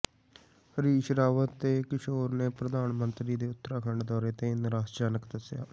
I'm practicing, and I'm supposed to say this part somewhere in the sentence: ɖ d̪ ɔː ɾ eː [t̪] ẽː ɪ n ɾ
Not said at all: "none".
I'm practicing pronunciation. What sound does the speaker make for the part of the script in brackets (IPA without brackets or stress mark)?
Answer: t̪